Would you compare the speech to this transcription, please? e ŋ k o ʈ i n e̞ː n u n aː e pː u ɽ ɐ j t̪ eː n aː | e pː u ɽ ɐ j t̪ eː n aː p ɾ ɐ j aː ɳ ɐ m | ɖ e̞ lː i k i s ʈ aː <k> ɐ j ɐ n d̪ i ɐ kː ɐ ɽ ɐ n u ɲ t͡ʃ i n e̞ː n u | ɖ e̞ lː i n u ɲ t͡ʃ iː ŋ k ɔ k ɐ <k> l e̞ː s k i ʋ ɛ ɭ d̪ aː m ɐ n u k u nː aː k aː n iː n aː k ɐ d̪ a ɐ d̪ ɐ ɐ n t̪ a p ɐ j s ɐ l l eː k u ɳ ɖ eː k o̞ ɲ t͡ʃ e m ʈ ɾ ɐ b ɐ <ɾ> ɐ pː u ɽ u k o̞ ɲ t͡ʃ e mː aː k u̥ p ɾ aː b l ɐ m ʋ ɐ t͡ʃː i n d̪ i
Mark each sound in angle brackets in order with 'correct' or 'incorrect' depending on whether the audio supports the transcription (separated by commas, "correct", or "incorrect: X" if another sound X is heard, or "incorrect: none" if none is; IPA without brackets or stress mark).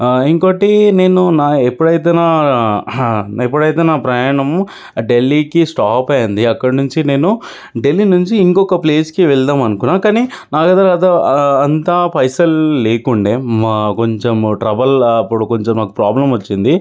incorrect: p, incorrect: p, incorrect: l